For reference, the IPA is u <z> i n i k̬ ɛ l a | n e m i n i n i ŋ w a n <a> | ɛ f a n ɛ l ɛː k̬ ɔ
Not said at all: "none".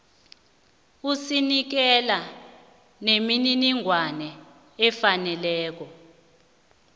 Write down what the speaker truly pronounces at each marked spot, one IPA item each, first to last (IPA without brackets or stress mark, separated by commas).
s, ɛ